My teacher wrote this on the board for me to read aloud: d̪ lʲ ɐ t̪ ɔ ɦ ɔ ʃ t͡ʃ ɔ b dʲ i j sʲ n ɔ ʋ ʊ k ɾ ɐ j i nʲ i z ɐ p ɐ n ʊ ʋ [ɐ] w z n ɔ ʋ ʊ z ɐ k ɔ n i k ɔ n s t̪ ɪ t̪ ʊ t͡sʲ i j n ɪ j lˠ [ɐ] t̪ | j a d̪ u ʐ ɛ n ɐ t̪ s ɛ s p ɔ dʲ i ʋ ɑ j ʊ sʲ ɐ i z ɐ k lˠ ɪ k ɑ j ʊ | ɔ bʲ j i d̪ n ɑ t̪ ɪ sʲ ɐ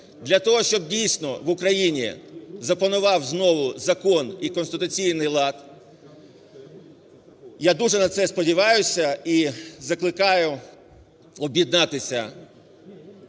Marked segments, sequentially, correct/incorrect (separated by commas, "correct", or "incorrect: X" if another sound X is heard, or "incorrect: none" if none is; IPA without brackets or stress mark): incorrect: ɑ, incorrect: ɑ